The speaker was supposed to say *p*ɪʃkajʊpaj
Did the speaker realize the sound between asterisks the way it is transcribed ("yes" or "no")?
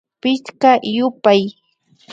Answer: yes